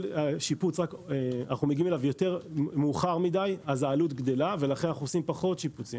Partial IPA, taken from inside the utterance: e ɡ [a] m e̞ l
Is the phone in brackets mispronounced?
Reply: yes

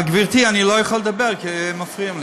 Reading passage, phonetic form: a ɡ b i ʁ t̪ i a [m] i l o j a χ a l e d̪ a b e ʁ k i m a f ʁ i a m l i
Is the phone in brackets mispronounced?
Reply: yes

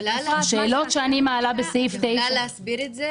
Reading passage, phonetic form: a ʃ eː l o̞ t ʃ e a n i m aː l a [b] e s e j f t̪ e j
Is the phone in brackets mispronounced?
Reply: no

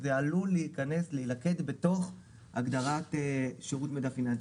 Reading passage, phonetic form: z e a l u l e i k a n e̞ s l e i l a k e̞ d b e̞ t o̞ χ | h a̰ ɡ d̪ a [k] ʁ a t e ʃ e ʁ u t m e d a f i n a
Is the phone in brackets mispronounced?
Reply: yes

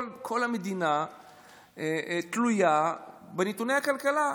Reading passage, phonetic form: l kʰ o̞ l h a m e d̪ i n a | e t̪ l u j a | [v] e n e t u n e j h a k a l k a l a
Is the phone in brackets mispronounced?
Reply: yes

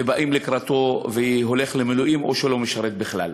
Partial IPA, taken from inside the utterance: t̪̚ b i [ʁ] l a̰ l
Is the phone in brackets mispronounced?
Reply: yes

